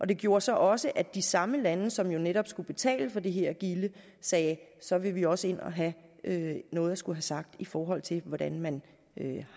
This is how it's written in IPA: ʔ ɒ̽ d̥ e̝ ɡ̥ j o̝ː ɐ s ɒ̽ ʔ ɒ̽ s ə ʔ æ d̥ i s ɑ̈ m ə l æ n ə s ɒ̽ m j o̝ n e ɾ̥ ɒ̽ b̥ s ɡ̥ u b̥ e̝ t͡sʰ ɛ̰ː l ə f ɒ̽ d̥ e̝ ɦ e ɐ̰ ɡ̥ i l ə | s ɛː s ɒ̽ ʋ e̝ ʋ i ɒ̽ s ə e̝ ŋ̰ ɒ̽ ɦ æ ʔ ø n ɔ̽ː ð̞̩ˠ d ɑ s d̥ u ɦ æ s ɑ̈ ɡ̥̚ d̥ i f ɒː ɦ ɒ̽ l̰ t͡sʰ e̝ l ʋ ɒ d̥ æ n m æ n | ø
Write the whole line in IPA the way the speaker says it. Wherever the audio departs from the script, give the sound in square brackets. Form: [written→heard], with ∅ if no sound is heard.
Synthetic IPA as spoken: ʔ ɒ̽ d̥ e̝ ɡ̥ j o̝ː ɐ s ɒ̽ ʔ ɒ̽ s ə ʔ æ d̥ i s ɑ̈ m ə l æ n ə s ɒ̽ m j o̝ n e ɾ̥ ɒ̽ b̥ s ɡ̥ u b̥ e̝ t͡sʰ ɛ̰ː l ə f ɒ̽ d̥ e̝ ɦ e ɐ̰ ɡ̥ i l ə | s ɛː s ɒ̽ ʋ e̝ ʋ i ɒ̽ s ə e̝ [ŋ̰→n̰] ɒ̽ ɦ æ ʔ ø n ɔ̽ː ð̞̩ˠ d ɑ s [d̥→ɡ̥] u ɦ æ s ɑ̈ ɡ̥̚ d̥ i f ɒː ɦ ɒ̽ l̰ t͡sʰ e̝ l ʋ ɒ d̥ æ n m æ n | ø